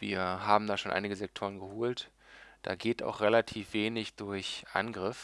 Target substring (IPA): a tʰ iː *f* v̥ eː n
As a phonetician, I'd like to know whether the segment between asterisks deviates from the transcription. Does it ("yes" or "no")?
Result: no